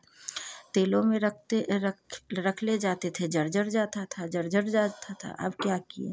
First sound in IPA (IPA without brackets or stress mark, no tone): t̪